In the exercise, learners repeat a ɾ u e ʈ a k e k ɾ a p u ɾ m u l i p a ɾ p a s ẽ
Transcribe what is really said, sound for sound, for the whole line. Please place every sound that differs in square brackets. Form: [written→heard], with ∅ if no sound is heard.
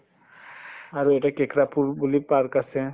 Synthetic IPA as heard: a ɾ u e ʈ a k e k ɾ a p u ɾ [m→b] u l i p a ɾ [p→k] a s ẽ

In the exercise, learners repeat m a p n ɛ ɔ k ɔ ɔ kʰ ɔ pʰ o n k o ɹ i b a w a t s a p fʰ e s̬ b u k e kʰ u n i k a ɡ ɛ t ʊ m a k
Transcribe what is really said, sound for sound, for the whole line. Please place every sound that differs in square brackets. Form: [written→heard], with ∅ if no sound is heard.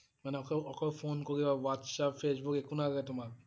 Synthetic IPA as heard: m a [p→∅] n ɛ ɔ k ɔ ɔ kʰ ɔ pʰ o n k o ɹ i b a w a t s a p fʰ e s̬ b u k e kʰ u n [i→a] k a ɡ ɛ t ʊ m a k

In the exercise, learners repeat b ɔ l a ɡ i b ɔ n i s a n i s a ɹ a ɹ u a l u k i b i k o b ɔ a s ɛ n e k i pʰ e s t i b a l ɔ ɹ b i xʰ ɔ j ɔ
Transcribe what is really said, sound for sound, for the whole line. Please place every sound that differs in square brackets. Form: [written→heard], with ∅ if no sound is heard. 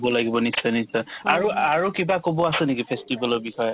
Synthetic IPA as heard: b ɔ l a ɡ i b ɔ n i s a n i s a [ɹ→∅] a ɹ u a [l→ɹ] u k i b [i→a] k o b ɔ a s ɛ n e k i pʰ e s t i b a l ɔ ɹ b i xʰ ɔ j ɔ

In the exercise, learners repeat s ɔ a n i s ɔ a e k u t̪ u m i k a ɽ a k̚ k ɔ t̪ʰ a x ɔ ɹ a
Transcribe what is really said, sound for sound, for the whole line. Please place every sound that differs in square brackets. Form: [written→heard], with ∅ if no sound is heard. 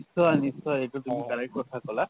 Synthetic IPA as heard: s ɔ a n i s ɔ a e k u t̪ u m i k a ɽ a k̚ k ɔ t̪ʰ a [x→k] ɔ [ɹ→l] a

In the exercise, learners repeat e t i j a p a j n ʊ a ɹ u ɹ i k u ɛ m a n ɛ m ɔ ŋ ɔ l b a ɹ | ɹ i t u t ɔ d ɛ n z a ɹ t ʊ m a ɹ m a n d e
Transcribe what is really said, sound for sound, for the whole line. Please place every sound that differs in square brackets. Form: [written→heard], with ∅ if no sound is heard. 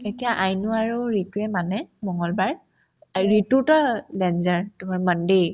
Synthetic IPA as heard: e t i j a [p→ʔ] a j n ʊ a ɹ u ɹ i [k→t] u ɛ m a n ɛ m ɔ ŋ ɔ l b a ɹ | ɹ i t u t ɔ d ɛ n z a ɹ t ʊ m a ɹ m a n d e

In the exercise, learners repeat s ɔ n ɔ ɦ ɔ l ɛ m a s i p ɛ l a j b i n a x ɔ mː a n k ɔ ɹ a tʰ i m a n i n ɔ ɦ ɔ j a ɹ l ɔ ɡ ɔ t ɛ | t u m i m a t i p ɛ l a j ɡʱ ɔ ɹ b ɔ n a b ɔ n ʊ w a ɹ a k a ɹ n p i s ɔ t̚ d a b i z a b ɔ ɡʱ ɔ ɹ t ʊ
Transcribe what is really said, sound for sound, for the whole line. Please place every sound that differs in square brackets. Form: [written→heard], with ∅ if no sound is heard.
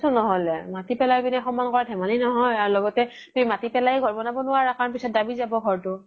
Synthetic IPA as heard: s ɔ n ɔ ɦ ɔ l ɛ m a [s→t] i p ɛ l a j b i n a x ɔ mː a n k ɔ ɹ a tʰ [i→ɛ] m a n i n ɔ ɦ ɔ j a ɹ l ɔ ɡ ɔ t ɛ | t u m i m a t i p ɛ l a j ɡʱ ɔ ɹ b ɔ n a b ɔ n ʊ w a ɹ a k a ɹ n p i s ɔ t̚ d a b i z a b ɔ ɡʱ ɔ ɹ t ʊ

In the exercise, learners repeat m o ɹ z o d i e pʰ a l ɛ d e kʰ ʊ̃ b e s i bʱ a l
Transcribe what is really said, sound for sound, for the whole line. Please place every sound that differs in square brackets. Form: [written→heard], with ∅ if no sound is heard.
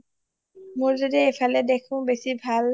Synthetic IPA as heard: m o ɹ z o d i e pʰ a l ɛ d e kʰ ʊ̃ b e s i bʱ a l

